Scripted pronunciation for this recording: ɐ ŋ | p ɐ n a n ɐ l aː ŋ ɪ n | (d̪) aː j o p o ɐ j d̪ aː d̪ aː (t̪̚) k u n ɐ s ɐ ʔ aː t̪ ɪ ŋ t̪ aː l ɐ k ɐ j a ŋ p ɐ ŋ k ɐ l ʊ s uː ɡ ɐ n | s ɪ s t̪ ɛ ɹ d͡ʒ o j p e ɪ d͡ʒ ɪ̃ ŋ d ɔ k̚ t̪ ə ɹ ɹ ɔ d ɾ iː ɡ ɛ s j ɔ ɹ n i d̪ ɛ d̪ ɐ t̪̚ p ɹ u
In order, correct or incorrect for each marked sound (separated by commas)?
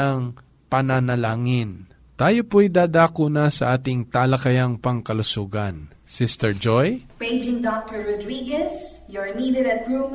incorrect, incorrect